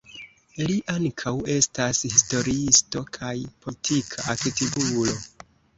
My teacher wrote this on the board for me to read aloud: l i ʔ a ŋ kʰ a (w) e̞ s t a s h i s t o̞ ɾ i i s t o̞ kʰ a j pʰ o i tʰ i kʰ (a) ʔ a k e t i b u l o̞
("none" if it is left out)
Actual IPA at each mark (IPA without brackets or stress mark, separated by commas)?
w, a